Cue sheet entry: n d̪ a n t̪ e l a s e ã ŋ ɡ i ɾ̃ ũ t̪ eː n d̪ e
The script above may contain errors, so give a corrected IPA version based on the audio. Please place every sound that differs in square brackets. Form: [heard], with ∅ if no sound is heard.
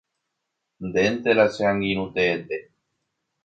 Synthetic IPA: n d̪ [e] n t̪ e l a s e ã ŋ ɡ i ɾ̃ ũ t̪ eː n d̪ e